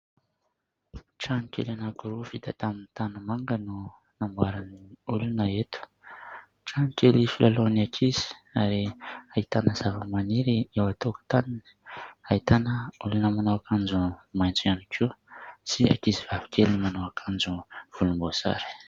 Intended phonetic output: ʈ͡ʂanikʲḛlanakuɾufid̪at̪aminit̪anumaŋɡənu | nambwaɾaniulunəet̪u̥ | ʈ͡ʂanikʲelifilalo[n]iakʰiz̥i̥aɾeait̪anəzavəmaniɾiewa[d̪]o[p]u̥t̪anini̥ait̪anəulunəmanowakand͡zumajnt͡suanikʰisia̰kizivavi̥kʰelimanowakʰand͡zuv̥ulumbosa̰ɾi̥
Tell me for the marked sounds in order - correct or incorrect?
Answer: correct, incorrect, incorrect

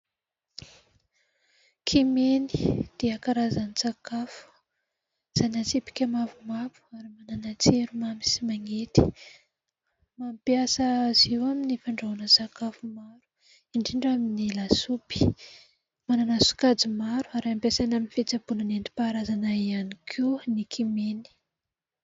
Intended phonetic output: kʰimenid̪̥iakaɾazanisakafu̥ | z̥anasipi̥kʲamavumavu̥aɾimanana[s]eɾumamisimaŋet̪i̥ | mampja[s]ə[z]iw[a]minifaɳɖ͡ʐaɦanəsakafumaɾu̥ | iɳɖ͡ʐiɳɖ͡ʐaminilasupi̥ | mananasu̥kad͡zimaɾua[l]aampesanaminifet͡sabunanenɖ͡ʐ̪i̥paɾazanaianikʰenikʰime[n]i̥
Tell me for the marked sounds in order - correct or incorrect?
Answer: incorrect, correct, correct, correct, incorrect, correct

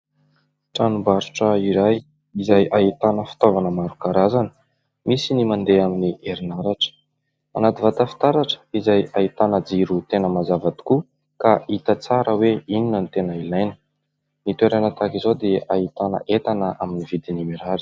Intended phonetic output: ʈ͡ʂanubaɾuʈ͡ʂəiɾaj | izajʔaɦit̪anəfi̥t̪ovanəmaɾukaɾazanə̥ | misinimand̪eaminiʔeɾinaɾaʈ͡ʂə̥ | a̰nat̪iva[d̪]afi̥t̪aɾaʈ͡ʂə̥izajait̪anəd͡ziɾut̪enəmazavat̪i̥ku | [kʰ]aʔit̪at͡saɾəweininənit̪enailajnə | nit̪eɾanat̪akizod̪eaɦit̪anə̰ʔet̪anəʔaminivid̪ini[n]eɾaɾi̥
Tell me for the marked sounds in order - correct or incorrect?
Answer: incorrect, incorrect, incorrect

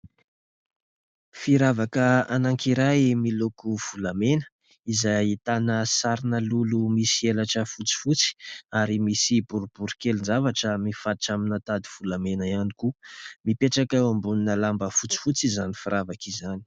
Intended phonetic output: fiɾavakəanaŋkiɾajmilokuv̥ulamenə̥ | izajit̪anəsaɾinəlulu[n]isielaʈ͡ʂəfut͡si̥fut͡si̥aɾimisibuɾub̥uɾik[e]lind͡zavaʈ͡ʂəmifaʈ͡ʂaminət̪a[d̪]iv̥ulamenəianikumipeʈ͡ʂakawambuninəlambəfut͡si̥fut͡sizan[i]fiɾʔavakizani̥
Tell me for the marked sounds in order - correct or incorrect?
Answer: incorrect, correct, correct, correct

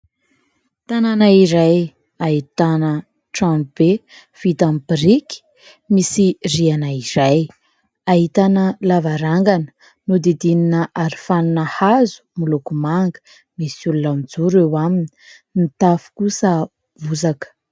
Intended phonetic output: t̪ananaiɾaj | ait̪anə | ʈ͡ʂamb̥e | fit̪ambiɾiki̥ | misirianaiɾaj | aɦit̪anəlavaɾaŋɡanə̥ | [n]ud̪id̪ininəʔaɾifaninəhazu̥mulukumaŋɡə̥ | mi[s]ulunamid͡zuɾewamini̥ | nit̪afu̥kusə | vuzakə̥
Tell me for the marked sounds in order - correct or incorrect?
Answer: correct, correct

